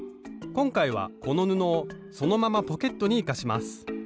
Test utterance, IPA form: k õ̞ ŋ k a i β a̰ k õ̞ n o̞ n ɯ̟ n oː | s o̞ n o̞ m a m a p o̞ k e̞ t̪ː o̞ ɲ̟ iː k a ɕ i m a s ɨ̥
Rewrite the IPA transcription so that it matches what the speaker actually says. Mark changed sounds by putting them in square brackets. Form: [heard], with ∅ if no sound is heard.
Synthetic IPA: k õ̞ ŋ k a i β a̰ k [o̞] n o̞ n ɯ̟ n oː | s o̞ n o̞ m a m a p o̞ k e̞ t̪ː o̞ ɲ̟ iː k a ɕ i m a s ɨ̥